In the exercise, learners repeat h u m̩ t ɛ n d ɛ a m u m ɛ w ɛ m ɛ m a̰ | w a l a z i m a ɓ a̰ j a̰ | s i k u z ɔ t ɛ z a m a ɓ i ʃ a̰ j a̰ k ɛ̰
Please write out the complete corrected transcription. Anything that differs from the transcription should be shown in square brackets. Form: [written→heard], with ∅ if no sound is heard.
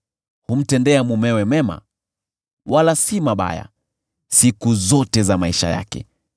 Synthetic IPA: h u m̩ t ɛ n d ɛ a m u m ɛ w ɛ m ɛ m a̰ | w a l a [z→s] i m a ɓ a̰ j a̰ | s i k u z ɔ t ɛ z a m a [ɓ→∅] i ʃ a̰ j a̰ k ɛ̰